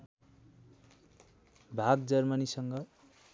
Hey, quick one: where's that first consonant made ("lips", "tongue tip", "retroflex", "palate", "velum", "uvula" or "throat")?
lips